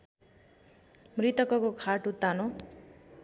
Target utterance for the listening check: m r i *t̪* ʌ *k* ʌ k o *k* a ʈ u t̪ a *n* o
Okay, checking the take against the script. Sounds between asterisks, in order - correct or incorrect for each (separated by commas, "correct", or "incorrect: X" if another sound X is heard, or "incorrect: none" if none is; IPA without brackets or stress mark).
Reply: correct, correct, incorrect: kʰ, correct